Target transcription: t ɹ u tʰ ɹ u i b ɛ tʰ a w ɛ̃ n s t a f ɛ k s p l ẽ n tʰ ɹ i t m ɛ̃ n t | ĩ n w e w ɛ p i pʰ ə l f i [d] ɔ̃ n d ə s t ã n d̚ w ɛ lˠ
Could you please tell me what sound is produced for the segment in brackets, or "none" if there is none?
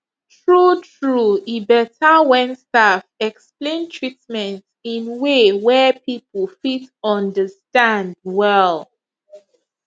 t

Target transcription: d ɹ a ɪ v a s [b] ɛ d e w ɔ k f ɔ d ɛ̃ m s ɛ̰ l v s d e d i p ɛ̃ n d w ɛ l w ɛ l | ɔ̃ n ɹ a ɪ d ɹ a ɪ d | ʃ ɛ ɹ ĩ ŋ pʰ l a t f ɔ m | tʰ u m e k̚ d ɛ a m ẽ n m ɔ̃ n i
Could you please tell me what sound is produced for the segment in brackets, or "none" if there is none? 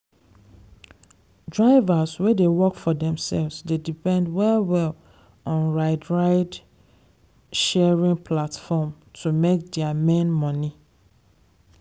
w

